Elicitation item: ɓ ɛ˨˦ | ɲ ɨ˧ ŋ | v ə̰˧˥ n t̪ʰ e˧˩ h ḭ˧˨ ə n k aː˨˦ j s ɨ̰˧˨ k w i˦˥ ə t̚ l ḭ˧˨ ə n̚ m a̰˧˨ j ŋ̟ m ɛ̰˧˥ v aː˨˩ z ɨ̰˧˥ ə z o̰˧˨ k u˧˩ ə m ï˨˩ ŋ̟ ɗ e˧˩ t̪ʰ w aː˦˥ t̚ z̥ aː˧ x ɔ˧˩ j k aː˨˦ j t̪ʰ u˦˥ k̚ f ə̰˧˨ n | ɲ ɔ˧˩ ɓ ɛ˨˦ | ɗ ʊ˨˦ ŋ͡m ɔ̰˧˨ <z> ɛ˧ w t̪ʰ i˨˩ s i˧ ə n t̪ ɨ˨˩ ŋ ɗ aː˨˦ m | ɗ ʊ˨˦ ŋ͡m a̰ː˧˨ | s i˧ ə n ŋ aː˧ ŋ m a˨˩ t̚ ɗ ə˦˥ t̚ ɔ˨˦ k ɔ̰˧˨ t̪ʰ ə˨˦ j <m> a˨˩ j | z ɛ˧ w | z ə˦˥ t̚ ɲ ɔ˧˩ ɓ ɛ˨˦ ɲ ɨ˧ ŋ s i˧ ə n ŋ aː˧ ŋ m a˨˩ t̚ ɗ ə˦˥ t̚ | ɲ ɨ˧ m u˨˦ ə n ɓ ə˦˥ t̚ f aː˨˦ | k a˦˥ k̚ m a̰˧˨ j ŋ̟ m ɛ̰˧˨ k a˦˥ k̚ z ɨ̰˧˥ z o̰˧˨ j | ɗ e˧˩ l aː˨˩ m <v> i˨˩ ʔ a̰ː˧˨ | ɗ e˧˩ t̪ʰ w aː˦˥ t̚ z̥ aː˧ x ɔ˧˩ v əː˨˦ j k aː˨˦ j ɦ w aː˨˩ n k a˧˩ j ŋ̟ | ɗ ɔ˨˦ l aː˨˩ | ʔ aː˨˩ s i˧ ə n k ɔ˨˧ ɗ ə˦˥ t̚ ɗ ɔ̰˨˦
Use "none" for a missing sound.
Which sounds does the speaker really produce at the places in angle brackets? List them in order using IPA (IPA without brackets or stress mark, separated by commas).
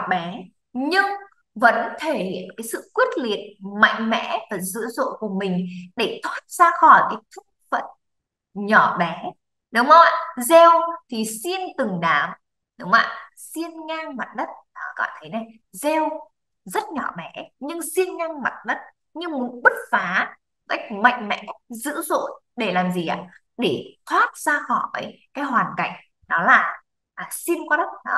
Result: z, n, z